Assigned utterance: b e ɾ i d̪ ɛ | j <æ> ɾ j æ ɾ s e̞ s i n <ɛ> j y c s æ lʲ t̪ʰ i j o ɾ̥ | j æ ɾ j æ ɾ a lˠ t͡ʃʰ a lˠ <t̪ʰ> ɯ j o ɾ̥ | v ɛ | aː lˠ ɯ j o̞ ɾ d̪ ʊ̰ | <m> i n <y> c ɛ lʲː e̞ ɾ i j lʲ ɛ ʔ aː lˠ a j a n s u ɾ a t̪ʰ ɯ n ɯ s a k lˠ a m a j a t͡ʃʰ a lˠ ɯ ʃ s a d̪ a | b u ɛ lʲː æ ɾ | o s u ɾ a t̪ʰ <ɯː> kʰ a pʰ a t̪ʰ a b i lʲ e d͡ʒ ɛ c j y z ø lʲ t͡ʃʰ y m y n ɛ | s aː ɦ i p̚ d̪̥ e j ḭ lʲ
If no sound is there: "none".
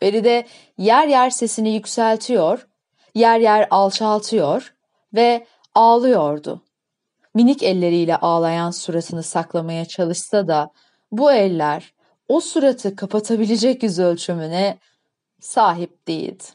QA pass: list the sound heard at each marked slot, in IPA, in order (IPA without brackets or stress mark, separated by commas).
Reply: æ, i, t̪ʰ, m, i, ɯ